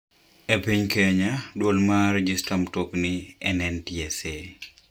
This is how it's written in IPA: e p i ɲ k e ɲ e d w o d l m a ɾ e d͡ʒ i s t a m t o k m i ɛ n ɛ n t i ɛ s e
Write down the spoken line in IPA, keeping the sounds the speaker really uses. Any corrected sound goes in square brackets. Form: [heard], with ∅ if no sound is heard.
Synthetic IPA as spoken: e p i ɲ k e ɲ [a] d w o [∅] l m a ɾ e d͡ʒ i s t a m t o k [n] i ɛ n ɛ n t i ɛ s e